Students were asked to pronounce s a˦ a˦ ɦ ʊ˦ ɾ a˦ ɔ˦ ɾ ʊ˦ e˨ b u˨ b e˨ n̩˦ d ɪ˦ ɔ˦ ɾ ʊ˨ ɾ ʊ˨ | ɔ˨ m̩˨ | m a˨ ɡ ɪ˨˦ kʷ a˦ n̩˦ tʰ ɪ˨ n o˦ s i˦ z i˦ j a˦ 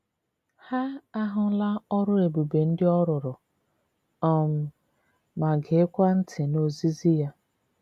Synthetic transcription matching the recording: h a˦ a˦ ɦ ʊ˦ l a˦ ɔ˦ ɾ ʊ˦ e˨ b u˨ b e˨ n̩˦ d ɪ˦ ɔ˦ ɾ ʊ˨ ɾ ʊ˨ | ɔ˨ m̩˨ | m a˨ ɡ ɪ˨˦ kʷ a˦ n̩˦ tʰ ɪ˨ n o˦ z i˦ z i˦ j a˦